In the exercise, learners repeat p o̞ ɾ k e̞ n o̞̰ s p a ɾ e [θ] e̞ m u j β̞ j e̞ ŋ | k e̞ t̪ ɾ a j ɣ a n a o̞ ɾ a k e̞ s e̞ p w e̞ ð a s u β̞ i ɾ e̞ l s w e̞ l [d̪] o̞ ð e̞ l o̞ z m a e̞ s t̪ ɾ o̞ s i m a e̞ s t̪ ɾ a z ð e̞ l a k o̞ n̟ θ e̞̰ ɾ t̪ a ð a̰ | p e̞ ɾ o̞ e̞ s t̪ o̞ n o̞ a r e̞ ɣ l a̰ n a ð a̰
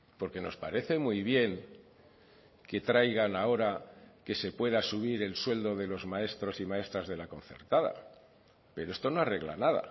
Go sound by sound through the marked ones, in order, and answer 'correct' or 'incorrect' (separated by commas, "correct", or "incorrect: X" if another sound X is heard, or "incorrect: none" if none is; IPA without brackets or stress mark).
correct, correct